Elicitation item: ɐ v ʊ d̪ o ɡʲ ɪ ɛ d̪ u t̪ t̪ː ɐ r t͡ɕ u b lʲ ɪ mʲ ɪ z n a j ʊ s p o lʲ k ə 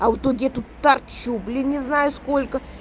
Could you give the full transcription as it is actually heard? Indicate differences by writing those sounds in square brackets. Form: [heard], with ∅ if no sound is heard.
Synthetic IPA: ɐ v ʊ [t̪] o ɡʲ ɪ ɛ [t̪] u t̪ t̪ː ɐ r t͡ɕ u b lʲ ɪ [nʲ] ɪ z n a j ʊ s [k] o lʲ k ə